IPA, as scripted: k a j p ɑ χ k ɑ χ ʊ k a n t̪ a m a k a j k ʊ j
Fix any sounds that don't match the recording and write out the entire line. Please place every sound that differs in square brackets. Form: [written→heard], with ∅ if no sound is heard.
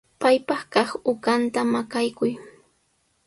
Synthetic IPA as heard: [k→p] a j p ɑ χ k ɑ χ ʊ k a n t̪ a m a k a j k ʊ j